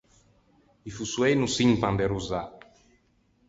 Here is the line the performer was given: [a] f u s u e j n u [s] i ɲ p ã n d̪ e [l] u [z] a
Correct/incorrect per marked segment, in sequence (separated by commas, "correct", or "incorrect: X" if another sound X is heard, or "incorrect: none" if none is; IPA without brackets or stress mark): incorrect: i, correct, incorrect: ɾ, correct